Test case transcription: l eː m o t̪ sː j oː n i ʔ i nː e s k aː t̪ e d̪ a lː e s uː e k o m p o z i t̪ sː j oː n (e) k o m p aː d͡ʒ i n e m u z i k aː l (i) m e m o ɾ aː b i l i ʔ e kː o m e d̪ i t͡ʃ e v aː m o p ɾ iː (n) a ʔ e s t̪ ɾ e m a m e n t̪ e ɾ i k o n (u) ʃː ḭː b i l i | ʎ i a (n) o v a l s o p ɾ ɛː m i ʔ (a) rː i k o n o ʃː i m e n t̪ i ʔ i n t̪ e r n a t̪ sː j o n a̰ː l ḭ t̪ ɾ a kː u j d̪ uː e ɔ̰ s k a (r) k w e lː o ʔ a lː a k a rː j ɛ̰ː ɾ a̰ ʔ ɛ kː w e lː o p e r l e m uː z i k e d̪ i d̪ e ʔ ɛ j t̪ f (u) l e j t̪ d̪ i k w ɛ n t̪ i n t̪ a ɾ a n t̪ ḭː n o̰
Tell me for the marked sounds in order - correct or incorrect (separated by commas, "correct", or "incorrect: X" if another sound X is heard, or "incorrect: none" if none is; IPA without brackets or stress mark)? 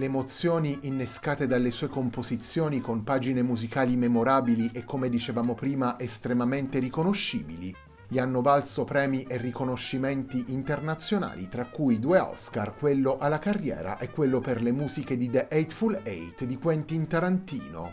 incorrect: i, correct, incorrect: m, incorrect: o, incorrect: nː, incorrect: e, correct, correct